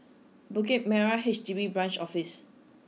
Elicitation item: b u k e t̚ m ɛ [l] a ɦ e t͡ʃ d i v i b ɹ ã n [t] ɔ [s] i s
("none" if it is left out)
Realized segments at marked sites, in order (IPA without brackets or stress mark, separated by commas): ɹ, t͡ʃ, f